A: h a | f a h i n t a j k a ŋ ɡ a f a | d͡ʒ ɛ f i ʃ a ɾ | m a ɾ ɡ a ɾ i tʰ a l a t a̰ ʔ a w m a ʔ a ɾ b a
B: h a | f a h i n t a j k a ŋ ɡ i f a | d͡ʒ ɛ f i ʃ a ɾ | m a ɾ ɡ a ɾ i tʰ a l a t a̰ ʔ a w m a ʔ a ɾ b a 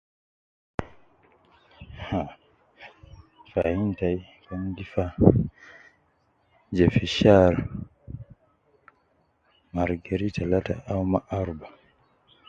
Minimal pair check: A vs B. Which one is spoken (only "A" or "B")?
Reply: B